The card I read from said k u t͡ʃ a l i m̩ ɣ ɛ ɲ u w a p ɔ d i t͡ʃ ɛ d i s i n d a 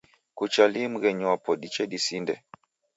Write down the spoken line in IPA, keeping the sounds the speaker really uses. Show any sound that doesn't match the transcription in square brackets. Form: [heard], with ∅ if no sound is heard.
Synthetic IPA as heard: k u t͡ʃ a l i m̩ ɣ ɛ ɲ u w a p ɔ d i t͡ʃ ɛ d i s i n d [ɛ]